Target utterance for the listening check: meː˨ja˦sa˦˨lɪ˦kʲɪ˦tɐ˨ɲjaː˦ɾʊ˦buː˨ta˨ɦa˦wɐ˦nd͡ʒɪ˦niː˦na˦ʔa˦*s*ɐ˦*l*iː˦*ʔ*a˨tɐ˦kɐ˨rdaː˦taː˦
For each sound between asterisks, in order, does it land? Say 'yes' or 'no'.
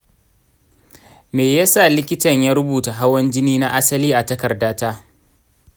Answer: yes, yes, yes

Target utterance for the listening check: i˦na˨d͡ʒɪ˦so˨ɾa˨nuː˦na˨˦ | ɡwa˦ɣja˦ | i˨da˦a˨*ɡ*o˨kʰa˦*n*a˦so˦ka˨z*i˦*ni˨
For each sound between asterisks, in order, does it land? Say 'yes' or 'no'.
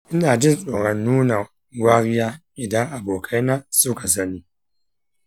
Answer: no, yes, no

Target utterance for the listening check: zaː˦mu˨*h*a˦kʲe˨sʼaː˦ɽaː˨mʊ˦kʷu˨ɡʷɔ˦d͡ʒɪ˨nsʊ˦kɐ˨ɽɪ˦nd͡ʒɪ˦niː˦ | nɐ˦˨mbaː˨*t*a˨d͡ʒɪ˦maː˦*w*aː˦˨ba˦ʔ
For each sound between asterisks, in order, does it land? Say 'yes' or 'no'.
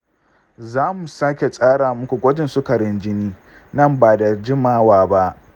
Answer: no, no, yes

